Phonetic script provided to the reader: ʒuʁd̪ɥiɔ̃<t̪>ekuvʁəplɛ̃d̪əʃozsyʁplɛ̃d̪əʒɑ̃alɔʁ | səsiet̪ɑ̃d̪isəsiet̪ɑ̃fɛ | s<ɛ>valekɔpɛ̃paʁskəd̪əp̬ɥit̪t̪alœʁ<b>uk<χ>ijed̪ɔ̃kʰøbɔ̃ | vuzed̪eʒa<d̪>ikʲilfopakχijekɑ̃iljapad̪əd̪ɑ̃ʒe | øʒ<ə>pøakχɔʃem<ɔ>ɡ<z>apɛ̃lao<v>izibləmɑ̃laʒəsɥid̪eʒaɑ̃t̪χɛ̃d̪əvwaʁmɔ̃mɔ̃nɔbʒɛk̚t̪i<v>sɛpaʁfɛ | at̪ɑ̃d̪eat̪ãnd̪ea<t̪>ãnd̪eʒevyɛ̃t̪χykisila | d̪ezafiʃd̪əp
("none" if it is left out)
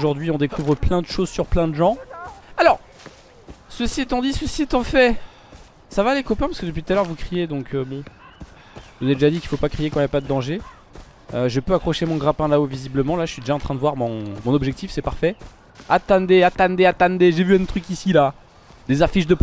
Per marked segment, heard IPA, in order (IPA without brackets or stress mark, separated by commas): d̪, a, v, χ, d̪, ə, ɔ̃, ʁ, v, f, t̪